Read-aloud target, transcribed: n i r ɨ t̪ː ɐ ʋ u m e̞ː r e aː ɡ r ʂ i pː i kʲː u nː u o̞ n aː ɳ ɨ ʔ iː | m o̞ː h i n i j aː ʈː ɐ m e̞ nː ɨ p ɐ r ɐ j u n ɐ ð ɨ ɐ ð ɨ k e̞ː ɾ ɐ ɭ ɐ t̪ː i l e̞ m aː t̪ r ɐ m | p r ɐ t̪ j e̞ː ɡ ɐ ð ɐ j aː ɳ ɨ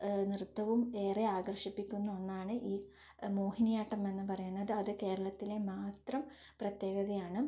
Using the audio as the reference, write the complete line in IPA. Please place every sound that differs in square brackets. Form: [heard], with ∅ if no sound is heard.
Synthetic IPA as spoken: n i r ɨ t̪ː ɐ ʋ u m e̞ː r e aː ɡ r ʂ i pː i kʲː u nː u o̞ [nː] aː ɳ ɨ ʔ iː | m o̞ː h i n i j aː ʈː ɐ m e̞ nː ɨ p ɐ r ɐ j u [nː] ɐ ð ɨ ɐ ð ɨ k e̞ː ɾ ɐ ɭ ɐ t̪ː i l e̞ m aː t̪ r ɐ m | p r ɐ t̪ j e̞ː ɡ ɐ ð ɐ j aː ɳ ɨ